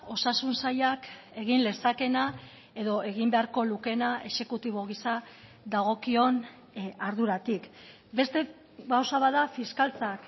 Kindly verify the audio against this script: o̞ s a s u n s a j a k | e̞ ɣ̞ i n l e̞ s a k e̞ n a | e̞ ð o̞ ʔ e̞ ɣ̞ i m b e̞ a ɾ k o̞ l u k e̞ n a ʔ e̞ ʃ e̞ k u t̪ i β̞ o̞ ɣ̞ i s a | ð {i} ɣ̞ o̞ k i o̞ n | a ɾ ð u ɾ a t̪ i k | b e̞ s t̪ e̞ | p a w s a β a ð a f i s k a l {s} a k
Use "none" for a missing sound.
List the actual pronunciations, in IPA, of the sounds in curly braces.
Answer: a, t͡s

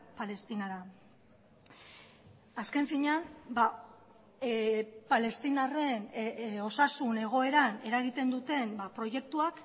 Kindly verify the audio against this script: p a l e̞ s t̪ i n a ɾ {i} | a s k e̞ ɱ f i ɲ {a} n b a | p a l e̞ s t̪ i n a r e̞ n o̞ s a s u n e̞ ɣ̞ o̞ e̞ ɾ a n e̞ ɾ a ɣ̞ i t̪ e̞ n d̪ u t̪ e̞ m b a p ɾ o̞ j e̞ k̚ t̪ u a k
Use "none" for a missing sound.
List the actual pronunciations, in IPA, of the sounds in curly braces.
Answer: a, a

